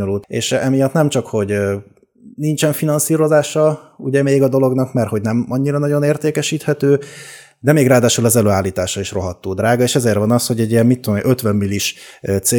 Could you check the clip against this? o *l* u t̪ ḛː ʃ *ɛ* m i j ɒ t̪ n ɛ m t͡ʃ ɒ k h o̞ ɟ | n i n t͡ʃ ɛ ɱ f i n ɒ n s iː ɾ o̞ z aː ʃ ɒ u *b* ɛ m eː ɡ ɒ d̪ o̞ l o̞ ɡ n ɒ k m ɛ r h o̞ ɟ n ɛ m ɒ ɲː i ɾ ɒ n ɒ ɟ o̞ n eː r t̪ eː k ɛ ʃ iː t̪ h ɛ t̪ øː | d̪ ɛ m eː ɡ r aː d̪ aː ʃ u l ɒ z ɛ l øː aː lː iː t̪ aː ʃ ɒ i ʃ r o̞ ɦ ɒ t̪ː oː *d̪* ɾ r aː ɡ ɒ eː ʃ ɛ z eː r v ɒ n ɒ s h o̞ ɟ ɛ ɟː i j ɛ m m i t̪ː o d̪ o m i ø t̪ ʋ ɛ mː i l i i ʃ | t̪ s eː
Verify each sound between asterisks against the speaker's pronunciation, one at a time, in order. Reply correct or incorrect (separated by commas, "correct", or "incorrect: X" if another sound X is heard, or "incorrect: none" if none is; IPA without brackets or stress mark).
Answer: correct, correct, incorrect: ɟ, correct